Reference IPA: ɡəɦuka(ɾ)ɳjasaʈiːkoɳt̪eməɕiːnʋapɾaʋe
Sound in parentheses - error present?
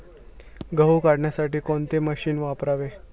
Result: yes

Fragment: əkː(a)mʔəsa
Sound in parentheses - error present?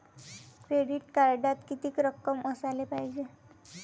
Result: yes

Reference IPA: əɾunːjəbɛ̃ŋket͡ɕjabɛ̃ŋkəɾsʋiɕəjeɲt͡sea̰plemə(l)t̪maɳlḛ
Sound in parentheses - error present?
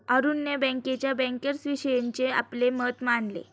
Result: yes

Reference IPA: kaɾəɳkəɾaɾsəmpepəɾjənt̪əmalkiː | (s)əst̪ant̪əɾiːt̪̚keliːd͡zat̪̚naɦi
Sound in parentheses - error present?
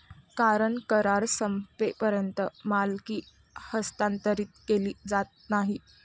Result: yes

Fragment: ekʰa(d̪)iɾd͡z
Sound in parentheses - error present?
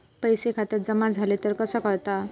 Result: yes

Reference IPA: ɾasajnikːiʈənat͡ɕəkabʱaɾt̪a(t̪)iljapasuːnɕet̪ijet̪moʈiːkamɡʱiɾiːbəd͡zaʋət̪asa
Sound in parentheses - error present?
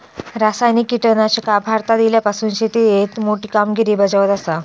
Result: yes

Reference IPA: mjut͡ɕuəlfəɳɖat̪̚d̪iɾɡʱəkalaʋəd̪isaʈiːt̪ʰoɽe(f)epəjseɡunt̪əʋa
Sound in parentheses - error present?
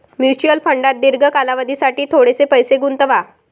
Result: yes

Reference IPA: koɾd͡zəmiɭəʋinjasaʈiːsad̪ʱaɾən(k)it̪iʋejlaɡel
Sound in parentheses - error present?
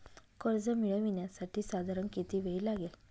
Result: no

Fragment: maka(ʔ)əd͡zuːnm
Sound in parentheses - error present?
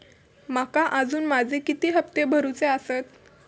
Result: no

